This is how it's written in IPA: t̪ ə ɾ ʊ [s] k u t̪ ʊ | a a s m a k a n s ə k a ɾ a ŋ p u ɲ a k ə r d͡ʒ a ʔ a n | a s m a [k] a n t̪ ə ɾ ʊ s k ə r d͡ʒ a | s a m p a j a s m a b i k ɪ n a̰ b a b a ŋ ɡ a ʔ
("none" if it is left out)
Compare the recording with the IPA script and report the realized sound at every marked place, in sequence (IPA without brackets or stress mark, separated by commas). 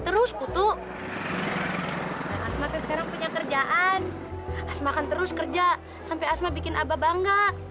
s, k